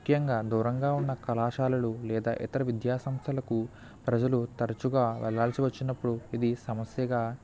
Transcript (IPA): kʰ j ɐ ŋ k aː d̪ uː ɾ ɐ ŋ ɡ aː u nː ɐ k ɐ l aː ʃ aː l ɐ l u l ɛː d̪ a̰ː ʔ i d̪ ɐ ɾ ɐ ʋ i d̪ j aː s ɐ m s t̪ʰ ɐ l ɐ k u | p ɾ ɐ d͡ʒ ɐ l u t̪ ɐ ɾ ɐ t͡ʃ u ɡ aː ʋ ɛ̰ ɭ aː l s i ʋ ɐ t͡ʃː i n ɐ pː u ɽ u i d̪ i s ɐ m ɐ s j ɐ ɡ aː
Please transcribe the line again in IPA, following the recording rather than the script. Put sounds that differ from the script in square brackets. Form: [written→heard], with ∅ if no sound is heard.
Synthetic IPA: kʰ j ɐ ŋ [k→ɡ] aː d̪ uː ɾ ɐ ŋ ɡ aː u nː ɐ k ɐ l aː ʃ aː l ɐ l u l ɛː d̪ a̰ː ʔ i [d̪→t̪] ɐ ɾ ɐ ʋ i d̪ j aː s ɐ m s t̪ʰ ɐ l ɐ k u | p ɾ ɐ d͡ʒ ɐ l u t̪ ɐ ɾ ɐ t͡ʃ u ɡ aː ʋ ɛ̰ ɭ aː l s i ʋ ɐ t͡ʃː i n ɐ pː u ɽ u i d̪ i s ɐ m ɐ s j ɐ ɡ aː

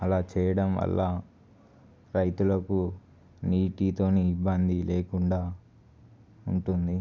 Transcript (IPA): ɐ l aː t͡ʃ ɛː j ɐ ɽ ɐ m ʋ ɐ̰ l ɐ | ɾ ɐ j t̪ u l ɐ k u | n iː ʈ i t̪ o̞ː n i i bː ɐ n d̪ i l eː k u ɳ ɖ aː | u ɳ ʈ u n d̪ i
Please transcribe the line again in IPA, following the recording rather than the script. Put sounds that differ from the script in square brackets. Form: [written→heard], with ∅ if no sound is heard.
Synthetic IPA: ɐ l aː t͡ʃ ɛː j ɐ ɽ ɐ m ʋ ɐ̰ [l→lː] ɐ | ɾ ɐ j t̪ u l ɐ k u | n iː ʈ i t̪ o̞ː n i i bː ɐ n d̪ i l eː k u ɳ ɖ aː | u ɳ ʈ u n d̪ i

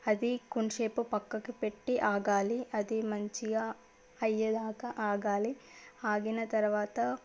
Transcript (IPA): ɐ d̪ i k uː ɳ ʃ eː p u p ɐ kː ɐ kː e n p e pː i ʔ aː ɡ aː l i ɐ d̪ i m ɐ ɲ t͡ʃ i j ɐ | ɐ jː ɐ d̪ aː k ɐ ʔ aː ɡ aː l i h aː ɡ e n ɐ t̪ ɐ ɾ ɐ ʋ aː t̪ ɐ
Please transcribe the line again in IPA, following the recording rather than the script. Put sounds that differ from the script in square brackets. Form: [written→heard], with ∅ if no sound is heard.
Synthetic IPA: ɐ d̪ i k [uː→u] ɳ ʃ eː p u p ɐ kː ɐ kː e [n→∅] p e [pː→ʈː] i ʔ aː ɡ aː l i ɐ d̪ i m ɐ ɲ t͡ʃ i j ɐ | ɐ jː ɐ d̪ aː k ɐ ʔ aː ɡ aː l i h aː ɡ [e→i] n ɐ t̪ ɐ ɾ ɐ ʋ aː t̪ ɐ

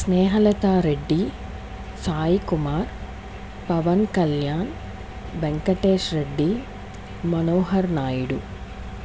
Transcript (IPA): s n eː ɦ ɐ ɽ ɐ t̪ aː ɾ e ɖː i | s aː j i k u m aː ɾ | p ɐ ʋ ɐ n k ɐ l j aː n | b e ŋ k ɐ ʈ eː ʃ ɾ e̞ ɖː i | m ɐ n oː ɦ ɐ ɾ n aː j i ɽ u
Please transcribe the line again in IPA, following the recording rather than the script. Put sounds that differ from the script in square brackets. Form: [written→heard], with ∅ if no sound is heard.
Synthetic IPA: s n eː ɦ ɐ [ɽ→l] ɐ t̪ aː ɾ e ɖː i | s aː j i k u m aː ɾ | p ɐ ʋ ɐ n k ɐ l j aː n | b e ŋ k ɐ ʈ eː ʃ ɾ e̞ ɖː i | m ɐ n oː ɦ ɐ ɾ n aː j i ɽ u

